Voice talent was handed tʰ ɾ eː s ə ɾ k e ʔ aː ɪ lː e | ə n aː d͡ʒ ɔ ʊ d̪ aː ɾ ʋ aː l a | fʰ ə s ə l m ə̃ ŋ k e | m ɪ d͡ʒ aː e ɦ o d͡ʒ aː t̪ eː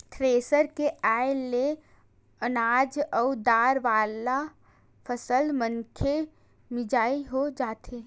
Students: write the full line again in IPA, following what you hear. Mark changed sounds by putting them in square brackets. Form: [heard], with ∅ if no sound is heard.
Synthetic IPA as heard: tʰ ɾ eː s ə ɾ k e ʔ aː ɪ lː e | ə n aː d͡ʒ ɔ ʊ d̪ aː ɾ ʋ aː l a | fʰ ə s ə l m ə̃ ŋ [kʰ] e | m ɪ d͡ʒ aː [i] ɦ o d͡ʒ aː t̪ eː